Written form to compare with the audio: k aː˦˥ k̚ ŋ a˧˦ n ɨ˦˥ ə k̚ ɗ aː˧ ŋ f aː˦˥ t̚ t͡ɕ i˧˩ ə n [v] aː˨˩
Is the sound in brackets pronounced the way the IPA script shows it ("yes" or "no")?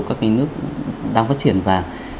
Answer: yes